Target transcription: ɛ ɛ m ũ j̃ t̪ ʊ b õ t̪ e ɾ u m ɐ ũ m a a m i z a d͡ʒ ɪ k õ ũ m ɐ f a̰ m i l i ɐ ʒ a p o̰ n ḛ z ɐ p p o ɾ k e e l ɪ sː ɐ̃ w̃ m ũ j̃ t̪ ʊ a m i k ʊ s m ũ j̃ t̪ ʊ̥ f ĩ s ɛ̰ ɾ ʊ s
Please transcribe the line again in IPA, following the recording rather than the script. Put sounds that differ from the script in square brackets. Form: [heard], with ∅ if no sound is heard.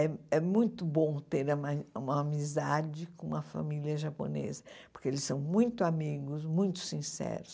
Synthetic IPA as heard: ɛ ɛ m ũ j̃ t̪ ʊ b õ t̪ e ɾ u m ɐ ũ m [ɐ] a m i z a d͡ʒ ɪ k õ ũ m ɐ f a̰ m i l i ɐ ʒ a p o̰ n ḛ z ɐ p p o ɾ k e e l ɪ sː ɐ̃ w̃ m ũ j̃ t̪ ʊ a m i [ɡ] ʊ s m ũ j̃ t̪ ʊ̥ [s] ĩ s ɛ̰ ɾ ʊ s